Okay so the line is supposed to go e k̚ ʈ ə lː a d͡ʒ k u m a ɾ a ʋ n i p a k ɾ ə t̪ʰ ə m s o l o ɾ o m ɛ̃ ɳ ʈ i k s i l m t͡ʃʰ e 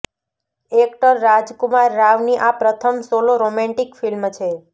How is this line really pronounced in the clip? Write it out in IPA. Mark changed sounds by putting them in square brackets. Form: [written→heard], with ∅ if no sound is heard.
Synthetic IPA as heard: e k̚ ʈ ə [lː→ɾː] a d͡ʒ k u m a [ɾ→ɾː] a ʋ n i [p→ʔ] a [k→p] ɾ ə t̪ʰ ə m s o l o ɾ o m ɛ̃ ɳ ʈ i k [s→f] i l m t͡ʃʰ e